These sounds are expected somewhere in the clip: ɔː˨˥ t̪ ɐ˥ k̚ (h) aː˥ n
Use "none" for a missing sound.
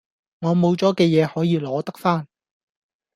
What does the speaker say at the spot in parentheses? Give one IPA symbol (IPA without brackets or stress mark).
f